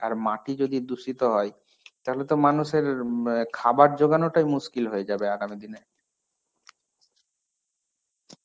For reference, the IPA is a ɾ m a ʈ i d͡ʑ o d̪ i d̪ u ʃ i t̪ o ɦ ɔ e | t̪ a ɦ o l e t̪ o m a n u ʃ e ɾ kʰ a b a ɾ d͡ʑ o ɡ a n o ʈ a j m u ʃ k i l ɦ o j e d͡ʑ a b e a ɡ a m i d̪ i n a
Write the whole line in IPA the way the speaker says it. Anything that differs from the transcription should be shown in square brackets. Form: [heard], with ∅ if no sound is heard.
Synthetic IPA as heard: a ɾ m a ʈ i d͡ʑ o d̪ i d̪ u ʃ i t̪ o ɦ ɔ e | t̪ a ɦ o l e t̪ o m a n u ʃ e ɾ kʰ a b a ɾ d͡ʑ o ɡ a n o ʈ a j m u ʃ k i l ɦ o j e d͡ʑ a b e a ɡ a m i d̪ i n [e]